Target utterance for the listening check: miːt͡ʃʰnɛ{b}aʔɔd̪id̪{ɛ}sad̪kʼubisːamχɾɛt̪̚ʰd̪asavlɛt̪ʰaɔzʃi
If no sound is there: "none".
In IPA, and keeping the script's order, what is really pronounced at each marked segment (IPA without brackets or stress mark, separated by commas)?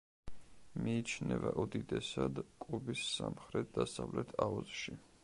v, ɛ